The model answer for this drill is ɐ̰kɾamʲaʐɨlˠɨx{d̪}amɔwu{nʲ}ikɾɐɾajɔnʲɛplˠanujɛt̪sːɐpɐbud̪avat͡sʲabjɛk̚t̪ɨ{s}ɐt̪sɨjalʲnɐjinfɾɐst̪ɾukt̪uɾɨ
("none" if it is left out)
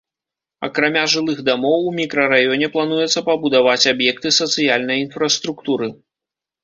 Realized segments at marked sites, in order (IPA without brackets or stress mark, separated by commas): d̪, mʲ, s